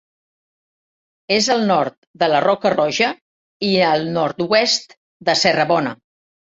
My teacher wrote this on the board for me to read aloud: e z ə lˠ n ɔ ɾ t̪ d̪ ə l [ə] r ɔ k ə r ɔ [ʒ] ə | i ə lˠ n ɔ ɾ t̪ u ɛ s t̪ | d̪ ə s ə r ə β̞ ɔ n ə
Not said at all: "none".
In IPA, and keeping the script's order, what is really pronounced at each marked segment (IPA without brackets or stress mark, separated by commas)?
ə, ʒ